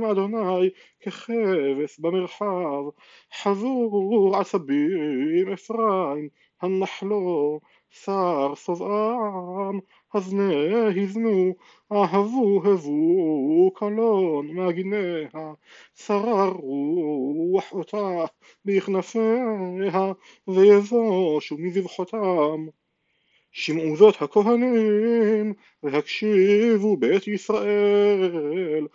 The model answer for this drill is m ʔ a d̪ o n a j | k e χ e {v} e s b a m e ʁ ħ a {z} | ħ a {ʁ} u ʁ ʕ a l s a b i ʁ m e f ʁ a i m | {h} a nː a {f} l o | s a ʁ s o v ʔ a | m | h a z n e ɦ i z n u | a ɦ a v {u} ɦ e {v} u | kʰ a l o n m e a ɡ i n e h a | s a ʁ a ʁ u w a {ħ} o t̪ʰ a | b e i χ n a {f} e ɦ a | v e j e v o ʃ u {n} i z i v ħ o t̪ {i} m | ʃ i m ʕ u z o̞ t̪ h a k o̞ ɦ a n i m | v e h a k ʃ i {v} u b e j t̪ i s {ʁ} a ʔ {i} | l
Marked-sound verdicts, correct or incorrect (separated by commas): correct, incorrect, incorrect, correct, incorrect, correct, correct, correct, correct, incorrect, incorrect, correct, correct, incorrect